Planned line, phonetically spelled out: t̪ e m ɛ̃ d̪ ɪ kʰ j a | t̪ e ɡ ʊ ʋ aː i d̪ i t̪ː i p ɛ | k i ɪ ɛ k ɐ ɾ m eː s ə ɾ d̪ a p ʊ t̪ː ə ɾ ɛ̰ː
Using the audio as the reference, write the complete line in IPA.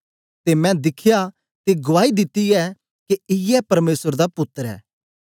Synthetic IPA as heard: t̪ e m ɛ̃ d̪ ɪ kʰ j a | t̪ e ɡ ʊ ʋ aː i d̪ ɪ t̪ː i ɛ | k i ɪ ɛ p ɐ ɾ m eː s ə ɾ d̪ a p ʊ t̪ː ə ɾ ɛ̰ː